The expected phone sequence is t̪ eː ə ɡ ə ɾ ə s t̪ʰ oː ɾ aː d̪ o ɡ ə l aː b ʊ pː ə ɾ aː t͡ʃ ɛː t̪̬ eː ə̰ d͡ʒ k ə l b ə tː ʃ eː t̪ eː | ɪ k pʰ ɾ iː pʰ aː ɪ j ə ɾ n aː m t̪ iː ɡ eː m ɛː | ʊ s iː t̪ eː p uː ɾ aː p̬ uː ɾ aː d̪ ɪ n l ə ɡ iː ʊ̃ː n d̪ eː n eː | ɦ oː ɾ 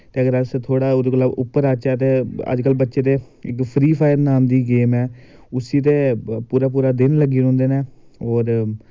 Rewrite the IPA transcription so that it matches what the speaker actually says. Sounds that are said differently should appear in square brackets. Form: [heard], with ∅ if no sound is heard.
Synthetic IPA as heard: t̪ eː ə ɡ ə ɾ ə s t̪ʰ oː [ɽ] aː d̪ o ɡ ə l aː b ʊ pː ə ɾ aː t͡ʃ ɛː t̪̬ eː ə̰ d͡ʒ k ə l b ə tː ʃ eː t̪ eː | ɪ k pʰ ɾ iː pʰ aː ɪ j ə ɾ n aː m [d̪] iː ɡ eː m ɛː | ʊ s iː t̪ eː p uː ɾ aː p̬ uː ɾ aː d̪ ɪ n l ə ɡ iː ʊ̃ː n d̪ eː n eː | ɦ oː ɾ